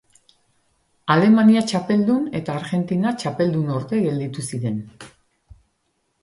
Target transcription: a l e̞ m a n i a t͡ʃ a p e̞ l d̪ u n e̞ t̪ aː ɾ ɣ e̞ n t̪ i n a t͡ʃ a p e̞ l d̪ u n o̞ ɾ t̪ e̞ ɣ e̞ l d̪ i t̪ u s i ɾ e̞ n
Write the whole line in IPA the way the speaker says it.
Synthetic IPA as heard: a l e̞ m a n i a t͡ʃ a p e̞ l d̪ u n e̞ t̪ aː ɾ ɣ e̞ n t̪ i n a t͡ʃ a p e̞ l d̪ u n o̞ ɾ t̪ e̞ ɣ e̞ l d̪ i t̪ u s i ɾ e̞ n